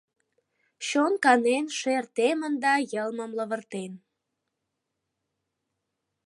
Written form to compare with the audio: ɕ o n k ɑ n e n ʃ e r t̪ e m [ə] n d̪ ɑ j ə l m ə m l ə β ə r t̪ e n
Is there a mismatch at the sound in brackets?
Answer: no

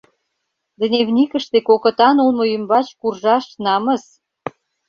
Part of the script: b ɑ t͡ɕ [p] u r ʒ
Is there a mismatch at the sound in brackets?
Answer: yes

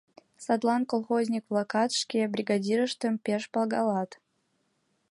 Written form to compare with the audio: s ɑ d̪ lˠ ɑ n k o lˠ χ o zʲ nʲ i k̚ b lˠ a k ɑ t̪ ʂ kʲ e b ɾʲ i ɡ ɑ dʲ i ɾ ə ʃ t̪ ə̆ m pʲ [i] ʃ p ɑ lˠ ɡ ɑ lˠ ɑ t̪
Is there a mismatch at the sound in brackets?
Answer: yes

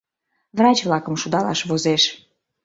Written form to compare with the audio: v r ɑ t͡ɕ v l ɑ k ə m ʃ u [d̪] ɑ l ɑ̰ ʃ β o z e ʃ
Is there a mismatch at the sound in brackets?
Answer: no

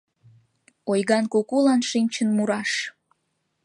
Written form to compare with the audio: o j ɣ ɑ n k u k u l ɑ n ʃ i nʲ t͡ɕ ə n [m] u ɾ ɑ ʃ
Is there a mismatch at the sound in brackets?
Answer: no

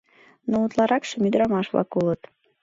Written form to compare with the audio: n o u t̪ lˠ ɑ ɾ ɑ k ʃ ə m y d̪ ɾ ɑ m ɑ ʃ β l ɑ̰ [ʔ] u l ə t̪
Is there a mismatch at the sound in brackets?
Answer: yes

